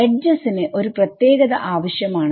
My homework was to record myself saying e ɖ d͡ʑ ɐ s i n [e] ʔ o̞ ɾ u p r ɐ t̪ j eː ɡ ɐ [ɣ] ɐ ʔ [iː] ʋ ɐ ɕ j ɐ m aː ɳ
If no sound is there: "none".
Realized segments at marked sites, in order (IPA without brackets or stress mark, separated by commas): e, ð, aː